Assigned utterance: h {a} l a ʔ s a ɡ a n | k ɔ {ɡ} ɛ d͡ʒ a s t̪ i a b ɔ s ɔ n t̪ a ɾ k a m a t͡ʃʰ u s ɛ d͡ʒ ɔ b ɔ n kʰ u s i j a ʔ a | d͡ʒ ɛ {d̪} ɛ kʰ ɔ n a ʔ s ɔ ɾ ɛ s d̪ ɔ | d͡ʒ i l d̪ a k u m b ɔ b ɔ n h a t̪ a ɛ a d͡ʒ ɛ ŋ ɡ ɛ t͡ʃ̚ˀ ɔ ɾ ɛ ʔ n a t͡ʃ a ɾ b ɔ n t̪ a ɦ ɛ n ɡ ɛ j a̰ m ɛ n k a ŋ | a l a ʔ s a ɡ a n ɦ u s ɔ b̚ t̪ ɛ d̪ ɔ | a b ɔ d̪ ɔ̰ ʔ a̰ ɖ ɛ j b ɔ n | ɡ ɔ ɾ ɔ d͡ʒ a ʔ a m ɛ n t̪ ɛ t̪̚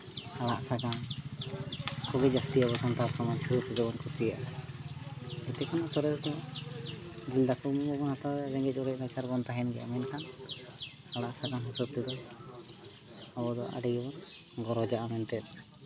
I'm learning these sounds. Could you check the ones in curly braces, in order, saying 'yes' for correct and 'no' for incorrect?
yes, yes, no

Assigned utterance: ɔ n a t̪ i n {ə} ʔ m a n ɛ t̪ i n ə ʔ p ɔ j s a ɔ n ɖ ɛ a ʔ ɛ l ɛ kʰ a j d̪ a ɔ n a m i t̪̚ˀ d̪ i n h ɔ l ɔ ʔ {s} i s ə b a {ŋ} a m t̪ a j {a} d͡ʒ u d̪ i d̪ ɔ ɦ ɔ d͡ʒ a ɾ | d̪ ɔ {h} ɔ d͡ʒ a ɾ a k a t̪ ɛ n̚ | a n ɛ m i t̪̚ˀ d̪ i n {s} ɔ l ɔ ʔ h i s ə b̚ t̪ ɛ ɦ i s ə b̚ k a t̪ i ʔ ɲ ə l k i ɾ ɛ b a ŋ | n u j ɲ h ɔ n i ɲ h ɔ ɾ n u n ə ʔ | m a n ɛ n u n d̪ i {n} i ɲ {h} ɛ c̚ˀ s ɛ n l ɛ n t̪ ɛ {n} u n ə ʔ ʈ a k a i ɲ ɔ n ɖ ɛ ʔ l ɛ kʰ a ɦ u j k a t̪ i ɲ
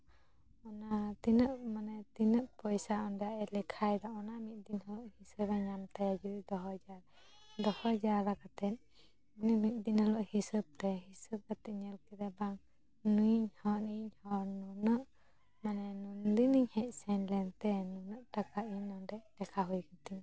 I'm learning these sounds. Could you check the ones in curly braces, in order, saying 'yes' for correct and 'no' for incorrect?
yes, no, no, yes, yes, no, yes, yes, yes

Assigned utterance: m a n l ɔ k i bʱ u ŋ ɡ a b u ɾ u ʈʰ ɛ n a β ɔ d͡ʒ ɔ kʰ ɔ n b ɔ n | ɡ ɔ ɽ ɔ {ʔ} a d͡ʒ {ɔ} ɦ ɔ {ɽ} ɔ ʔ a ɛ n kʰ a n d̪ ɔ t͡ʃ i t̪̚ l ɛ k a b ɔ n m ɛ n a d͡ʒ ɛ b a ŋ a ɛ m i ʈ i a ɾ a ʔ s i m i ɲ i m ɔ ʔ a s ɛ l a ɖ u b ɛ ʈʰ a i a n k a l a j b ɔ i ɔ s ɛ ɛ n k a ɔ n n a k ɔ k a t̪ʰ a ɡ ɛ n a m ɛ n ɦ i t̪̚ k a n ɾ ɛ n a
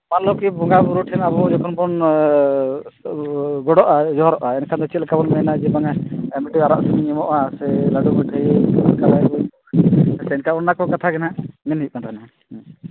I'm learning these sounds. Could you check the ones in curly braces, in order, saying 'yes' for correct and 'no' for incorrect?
yes, yes, no

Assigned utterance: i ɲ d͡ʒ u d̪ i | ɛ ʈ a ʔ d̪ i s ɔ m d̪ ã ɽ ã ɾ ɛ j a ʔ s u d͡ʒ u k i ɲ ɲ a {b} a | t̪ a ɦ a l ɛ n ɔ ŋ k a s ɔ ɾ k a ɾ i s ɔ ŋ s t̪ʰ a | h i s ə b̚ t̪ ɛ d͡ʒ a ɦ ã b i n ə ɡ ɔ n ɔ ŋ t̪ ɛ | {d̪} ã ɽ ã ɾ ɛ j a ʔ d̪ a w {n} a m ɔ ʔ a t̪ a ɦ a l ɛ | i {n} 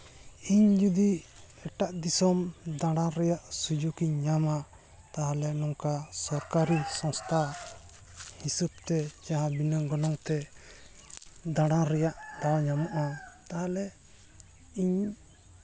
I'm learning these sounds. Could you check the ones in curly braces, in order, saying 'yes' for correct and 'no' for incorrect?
no, yes, no, no

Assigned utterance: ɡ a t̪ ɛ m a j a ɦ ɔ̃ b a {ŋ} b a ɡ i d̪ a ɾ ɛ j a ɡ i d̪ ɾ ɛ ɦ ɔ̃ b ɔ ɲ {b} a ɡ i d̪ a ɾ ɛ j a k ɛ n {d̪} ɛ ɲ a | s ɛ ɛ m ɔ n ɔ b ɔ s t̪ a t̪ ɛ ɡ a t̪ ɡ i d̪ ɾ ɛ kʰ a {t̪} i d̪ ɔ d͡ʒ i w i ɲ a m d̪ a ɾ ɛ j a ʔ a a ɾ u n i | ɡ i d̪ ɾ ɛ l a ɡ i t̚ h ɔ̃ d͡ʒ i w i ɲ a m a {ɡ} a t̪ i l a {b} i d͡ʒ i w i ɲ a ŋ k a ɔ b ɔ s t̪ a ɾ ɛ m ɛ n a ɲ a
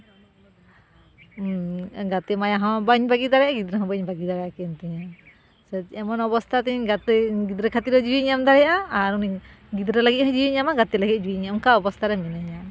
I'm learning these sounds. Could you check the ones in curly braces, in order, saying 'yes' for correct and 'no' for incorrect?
no, yes, no, yes, yes, no

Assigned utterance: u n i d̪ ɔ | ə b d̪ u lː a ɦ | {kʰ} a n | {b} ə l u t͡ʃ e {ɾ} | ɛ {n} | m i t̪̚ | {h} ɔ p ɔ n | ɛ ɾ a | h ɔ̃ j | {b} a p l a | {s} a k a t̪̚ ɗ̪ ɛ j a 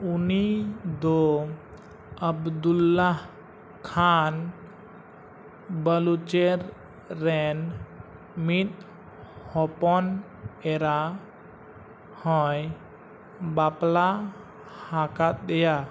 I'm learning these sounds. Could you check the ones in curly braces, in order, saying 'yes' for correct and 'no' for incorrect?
yes, yes, no, yes, yes, yes, no

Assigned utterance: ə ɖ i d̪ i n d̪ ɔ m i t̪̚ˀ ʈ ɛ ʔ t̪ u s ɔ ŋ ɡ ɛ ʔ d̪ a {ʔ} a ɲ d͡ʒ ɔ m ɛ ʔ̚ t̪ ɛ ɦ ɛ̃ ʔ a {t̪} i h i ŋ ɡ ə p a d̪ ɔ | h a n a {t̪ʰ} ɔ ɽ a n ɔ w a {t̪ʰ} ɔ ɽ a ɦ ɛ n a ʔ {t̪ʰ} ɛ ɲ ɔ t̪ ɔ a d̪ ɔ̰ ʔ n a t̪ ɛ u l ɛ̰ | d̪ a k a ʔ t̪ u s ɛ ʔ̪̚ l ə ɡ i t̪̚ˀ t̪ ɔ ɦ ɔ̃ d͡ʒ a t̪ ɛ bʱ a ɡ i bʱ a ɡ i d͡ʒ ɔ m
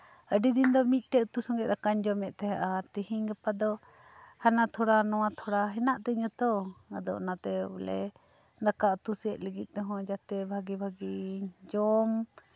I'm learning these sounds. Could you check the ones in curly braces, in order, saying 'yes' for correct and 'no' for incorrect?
no, yes, yes, yes, no

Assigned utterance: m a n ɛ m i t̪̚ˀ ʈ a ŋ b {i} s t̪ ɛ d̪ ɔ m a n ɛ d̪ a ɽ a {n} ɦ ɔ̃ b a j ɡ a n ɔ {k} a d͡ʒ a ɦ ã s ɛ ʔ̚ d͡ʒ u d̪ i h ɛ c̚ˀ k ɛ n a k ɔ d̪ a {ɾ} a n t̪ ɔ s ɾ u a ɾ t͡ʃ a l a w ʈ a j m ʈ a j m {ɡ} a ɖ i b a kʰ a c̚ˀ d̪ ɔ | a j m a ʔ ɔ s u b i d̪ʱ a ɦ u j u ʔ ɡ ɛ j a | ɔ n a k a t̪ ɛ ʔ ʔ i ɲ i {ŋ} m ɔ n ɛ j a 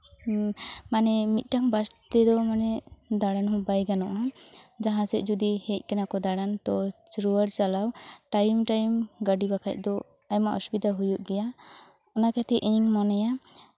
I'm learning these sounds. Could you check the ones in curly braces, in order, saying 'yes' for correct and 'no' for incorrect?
no, yes, no, no, yes, yes

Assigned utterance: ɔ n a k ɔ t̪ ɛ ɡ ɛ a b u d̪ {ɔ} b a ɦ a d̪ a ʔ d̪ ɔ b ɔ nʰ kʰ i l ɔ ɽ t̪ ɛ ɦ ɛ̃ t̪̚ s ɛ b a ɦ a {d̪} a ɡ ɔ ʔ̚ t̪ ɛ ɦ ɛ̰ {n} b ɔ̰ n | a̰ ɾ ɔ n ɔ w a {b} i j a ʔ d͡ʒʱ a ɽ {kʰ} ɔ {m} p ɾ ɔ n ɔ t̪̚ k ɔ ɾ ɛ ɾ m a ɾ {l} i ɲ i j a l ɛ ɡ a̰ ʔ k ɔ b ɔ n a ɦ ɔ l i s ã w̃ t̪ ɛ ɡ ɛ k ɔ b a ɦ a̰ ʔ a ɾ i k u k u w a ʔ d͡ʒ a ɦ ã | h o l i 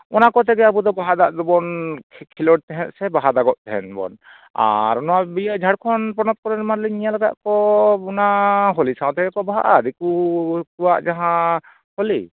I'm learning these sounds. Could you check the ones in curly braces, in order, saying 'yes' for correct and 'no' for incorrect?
yes, yes, yes, yes, yes, no, yes

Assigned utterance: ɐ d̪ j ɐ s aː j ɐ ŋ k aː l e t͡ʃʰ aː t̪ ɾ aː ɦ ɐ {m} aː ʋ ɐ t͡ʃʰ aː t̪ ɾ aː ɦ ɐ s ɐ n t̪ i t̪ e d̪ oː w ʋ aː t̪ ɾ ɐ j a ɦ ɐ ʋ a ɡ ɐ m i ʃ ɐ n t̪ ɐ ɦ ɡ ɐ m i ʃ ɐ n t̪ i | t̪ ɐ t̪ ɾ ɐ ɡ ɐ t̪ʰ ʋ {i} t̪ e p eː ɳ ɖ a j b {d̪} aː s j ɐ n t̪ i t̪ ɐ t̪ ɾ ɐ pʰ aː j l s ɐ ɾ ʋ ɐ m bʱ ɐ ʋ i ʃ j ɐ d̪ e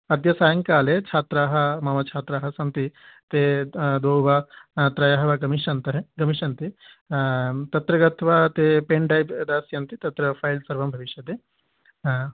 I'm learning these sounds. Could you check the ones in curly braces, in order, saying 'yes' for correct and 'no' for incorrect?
yes, no, yes

